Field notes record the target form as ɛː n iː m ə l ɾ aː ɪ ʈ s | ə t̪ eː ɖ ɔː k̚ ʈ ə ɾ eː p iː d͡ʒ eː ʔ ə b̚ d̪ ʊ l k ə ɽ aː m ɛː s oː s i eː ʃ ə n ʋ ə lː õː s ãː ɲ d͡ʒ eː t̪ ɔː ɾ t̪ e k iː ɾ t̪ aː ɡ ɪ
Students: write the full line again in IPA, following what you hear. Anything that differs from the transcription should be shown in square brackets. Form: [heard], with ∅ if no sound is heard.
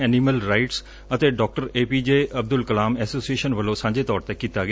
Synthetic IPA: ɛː n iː m ə l ɾ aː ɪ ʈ s | ə t̪ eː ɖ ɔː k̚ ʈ ə ɾ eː p iː d͡ʒ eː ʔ ə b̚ d̪ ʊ l k ə [l] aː m ɛː s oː s i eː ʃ ə n ʋ ə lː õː s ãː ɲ d͡ʒ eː t̪ ɔː ɾ t̪ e k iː [∅] t̪ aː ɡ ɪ